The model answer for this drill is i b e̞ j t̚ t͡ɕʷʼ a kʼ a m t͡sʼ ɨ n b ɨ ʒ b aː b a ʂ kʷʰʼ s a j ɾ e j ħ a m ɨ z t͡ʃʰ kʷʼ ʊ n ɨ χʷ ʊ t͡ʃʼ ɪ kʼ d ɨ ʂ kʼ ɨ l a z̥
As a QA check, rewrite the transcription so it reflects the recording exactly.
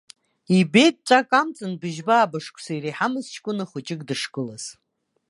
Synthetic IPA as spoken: i b e̞ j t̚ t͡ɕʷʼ a kʼ a m t͡sʼ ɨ n b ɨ ʒ b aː b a ʂ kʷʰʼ s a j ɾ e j ħ a m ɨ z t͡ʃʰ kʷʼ ʊ n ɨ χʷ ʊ t͡ʃʼ ɪ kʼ d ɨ ʂ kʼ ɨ l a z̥